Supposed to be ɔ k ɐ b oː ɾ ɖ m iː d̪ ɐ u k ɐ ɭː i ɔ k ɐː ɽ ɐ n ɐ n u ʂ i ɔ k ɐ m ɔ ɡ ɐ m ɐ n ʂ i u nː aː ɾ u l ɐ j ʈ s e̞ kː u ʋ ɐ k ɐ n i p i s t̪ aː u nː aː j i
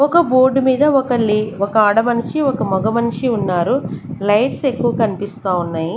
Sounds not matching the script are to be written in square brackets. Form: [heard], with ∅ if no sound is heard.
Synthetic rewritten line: ɔ k ɐ b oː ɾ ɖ m iː d̪ ɐ [ɔ] k ɐ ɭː i ɔ k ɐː ɽ ɐ [m] ɐ n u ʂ i ɔ k ɐ m ɔ ɡ ɐ m ɐ n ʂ i u nː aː ɾ u l ɐ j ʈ s e̞ kː u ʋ ɐ k ɐ n i p i s t̪ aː u nː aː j i